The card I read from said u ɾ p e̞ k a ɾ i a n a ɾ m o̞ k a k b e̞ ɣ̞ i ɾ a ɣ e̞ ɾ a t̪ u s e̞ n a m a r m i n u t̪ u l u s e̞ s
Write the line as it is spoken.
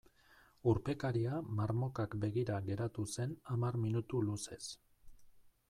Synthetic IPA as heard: u ɾ p e̞ k a ɾ i a m a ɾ m o̞ k a k b e̞ ɣ̞ i ɾ a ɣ e̞ ɾ a t̪ u s e̞ n a m a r m i n u t̪ u l u s e̞ s